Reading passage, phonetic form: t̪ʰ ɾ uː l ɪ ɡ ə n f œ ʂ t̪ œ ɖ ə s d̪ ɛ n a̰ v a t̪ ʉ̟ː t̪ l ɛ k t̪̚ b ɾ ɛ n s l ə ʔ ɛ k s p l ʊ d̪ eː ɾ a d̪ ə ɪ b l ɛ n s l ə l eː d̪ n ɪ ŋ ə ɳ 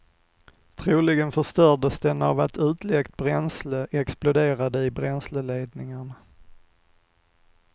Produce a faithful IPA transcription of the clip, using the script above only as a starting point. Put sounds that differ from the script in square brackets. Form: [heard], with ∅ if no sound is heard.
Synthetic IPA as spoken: t̪ʰ ɾ uː l ɪ ɡ ə n f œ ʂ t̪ œ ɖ ə s d̪ ɛ n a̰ v a t̪ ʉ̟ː t̪ l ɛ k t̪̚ b ɾ ɛ n s l ə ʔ ɛ k s p l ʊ d̪ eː ɾ a d̪ ə ɪ b [ɾ] ɛ n s l ə l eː d̪ n ɪ ŋ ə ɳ